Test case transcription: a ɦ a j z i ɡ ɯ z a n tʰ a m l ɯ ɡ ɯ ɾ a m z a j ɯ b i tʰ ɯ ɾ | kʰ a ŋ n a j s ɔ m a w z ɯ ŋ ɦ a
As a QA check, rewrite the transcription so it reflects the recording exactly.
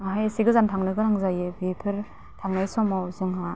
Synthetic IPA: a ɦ a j s i ɡ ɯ z a n tʰ a ŋ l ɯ ɡ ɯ ɾ a ŋ z a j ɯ b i pʰ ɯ ɾ | tʰ a ŋ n a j s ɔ m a w z ɯ ŋ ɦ a